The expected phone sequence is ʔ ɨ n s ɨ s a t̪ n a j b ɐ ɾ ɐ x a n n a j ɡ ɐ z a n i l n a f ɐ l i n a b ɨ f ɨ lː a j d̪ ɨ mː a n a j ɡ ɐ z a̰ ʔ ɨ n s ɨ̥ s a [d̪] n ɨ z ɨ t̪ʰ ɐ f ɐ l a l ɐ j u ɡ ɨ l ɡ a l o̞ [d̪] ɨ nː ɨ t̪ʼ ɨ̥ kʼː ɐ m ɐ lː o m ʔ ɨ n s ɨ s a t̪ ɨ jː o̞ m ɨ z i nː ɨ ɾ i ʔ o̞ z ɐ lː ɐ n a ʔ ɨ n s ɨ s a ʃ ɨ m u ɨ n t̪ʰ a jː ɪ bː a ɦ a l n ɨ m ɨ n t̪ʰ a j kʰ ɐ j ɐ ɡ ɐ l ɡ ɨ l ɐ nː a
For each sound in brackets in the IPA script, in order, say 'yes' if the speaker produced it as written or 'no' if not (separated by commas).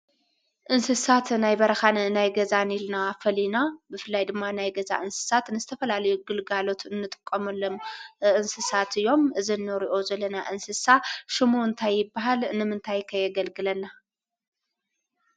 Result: no, no